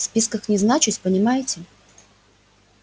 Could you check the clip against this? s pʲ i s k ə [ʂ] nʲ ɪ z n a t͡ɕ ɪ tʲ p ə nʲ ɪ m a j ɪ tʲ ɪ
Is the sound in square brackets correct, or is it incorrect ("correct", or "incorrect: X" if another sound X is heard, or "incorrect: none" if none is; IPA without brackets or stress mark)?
incorrect: x